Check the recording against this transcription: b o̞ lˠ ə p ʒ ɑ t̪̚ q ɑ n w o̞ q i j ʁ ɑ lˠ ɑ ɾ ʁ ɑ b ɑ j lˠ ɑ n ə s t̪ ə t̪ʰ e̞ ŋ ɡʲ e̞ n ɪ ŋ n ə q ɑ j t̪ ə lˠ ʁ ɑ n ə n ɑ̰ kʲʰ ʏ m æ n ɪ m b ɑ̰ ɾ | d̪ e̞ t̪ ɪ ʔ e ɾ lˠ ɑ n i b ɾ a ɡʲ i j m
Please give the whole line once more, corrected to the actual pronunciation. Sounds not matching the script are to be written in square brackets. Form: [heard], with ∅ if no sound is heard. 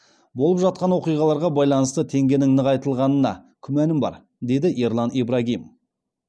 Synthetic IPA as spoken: b o̞ lˠ ə p ʒ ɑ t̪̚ q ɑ n w o̞ q i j ʁ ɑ lˠ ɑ ɾ ʁ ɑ b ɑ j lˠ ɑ n ə s t̪ ə t̪ʰ e̞ ŋ ɡʲ e̞ n ɪ ŋ n ə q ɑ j t̪ ə lˠ ʁ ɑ n ə n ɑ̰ kʲʰ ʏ m æ n ɪ m b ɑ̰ ɾ | d̪ e̞ [d̪] ɪ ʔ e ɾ lˠ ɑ n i b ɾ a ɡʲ i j m